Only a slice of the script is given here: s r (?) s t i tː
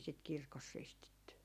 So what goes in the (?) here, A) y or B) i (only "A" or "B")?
B